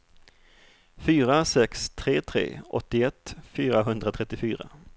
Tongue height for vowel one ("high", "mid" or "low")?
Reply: high